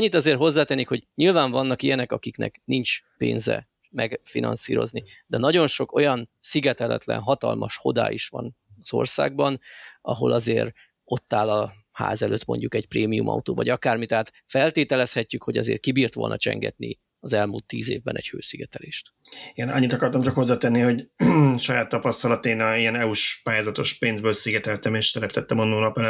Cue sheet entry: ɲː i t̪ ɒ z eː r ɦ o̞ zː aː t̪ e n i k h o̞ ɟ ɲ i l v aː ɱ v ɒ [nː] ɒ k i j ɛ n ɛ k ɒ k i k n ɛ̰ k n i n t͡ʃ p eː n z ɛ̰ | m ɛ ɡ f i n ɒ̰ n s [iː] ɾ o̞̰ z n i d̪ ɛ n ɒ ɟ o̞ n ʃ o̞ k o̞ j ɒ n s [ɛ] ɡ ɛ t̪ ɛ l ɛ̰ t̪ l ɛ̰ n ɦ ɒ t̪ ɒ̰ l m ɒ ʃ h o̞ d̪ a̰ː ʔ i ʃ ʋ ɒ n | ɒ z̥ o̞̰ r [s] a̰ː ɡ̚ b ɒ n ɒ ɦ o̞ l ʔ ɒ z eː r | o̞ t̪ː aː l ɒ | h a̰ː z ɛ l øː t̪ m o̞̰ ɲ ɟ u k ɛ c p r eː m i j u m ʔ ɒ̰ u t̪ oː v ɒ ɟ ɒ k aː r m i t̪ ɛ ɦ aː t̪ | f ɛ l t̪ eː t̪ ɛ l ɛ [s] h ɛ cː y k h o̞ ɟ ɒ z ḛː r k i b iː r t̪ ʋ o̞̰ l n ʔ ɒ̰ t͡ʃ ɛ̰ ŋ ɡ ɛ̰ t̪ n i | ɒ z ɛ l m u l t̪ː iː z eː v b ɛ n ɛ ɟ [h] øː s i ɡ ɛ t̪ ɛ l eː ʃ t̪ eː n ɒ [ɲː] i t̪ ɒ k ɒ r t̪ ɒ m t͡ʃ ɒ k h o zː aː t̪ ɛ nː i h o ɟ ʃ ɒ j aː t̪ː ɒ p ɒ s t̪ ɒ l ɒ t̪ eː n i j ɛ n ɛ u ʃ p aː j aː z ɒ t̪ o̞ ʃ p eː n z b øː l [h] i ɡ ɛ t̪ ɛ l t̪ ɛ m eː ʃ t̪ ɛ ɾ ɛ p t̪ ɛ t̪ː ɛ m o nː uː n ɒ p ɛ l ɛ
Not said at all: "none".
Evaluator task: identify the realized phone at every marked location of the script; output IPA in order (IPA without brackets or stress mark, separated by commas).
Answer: nː, iː, i, s, s, h, ɲː, s